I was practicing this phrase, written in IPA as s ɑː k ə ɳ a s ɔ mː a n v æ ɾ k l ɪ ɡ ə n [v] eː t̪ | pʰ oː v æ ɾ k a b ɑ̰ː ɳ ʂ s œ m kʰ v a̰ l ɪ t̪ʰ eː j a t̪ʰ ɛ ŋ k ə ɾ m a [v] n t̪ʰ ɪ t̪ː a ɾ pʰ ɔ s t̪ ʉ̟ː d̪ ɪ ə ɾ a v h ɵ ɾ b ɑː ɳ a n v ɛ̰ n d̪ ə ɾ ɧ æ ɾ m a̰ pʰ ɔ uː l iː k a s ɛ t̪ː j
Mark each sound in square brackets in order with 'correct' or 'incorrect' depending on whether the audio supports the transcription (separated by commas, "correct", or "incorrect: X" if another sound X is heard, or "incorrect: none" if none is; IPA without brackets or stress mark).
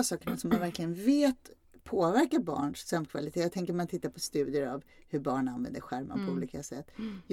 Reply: correct, incorrect: none